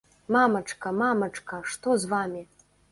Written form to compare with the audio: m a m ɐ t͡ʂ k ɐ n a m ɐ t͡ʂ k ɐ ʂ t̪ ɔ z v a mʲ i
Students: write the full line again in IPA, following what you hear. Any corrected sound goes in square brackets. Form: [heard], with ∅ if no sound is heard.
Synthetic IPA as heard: m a m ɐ t͡ʂ k ɐ [m] a m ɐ t͡ʂ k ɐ ʂ t̪ ɔ z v a mʲ i